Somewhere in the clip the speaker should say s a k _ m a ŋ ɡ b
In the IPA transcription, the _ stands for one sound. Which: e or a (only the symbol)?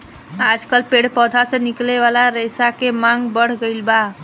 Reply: e